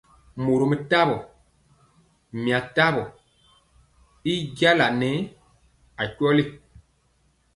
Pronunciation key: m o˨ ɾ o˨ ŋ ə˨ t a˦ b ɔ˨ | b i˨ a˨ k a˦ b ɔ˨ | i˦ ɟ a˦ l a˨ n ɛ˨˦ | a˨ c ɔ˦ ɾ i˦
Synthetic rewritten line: m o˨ ɾ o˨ m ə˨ t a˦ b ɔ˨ | m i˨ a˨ t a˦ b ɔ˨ | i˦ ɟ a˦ l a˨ n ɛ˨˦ | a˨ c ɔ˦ l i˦